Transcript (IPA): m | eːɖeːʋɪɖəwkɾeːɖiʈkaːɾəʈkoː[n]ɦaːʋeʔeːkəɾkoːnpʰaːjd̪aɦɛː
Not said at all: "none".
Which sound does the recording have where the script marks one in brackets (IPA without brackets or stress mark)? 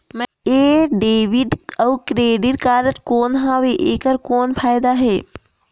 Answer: n